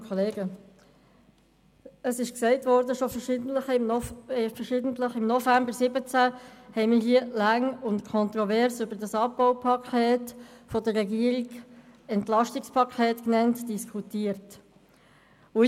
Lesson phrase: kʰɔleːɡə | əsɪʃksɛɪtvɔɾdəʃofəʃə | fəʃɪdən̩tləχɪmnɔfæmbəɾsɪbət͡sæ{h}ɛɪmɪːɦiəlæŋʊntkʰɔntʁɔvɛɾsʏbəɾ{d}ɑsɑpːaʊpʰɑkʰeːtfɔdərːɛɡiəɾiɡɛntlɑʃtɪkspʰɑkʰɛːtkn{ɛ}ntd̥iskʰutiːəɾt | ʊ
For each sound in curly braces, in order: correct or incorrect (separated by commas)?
correct, correct, correct